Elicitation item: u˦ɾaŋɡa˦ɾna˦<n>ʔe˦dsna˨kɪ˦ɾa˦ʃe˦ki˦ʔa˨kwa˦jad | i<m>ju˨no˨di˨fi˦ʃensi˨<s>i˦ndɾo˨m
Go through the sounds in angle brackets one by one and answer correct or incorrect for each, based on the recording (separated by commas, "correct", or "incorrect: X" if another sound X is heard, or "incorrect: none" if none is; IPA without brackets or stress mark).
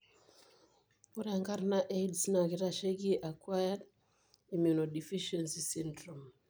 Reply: incorrect: none, correct, correct